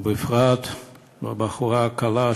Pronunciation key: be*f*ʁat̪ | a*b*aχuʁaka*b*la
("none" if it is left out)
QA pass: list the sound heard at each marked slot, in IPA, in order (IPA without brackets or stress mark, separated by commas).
f, b, none